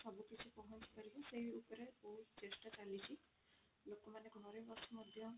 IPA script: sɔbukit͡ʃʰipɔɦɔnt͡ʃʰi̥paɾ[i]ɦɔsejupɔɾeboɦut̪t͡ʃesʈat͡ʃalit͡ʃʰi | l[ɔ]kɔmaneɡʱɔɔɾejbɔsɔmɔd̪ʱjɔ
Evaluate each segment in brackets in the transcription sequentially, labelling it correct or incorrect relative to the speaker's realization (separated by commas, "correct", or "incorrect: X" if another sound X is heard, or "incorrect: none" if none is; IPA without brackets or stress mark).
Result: correct, incorrect: o